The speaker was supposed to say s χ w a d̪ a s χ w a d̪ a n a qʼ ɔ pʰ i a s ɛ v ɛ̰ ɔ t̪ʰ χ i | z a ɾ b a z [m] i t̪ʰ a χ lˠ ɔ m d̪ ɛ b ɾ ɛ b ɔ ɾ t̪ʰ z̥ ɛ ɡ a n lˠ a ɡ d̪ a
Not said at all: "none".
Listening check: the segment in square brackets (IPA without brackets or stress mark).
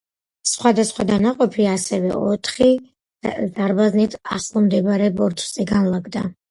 n